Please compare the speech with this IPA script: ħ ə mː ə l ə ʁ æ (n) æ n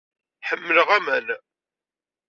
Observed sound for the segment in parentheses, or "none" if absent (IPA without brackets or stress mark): m